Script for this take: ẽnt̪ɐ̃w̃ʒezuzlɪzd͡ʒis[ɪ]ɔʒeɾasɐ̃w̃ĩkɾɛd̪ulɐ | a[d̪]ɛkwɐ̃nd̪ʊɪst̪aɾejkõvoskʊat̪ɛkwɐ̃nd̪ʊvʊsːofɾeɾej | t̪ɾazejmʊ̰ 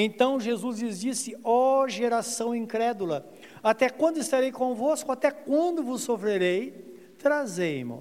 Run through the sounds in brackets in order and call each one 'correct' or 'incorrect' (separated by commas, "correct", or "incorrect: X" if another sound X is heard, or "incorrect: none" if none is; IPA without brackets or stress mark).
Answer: correct, incorrect: t̪